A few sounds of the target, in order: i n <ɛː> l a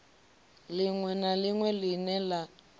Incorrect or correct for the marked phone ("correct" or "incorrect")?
incorrect